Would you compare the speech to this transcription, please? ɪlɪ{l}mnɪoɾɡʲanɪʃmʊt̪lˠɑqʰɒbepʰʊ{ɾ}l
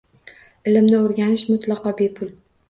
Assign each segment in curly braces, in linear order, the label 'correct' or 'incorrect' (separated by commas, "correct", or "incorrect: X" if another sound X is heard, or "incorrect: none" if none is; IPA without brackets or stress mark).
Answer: incorrect: none, incorrect: none